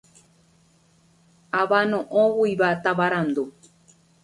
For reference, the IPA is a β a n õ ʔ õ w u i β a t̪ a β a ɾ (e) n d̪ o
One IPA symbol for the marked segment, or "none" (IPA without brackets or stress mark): a